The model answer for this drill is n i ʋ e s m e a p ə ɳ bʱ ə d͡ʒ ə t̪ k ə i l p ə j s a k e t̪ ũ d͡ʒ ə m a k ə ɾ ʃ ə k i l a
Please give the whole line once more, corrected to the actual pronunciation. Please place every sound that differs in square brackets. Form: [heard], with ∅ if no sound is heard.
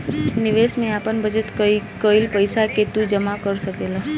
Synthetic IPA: n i ʋ e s m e a p ə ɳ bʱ ə d͡ʒ ə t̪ k ə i l p ə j s a k e t̪ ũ d͡ʒ ə m a k ə ɾ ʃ ə k [e] l a